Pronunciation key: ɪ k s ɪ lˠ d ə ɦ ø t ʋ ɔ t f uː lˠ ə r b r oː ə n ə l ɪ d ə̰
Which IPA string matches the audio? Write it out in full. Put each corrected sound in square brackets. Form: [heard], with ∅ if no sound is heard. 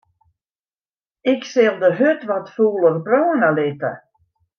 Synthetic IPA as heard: ɪ k s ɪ lˠ d ə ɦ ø t ʋ ɔ t f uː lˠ ə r b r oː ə n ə l ɪ [t] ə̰